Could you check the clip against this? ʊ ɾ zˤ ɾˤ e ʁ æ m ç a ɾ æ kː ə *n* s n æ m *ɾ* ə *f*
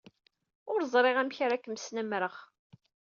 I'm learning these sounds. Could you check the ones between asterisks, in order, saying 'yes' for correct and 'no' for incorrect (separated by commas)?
no, yes, no